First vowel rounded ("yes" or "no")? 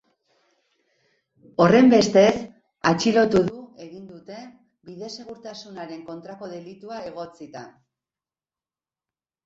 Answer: yes